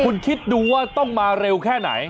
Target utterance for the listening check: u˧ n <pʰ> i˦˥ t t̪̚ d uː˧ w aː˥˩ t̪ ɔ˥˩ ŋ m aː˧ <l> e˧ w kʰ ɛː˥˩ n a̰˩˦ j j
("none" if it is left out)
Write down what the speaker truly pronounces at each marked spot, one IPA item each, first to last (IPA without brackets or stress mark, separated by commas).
kʰ, ɾ